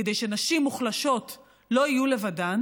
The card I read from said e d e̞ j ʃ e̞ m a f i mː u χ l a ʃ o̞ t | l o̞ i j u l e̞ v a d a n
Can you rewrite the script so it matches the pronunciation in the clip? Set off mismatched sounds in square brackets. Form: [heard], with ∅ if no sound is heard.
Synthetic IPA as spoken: e d e̞ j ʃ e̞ [n] a [ʃ] i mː u χ l a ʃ o̞ t | l o̞ i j u l e̞ v a d a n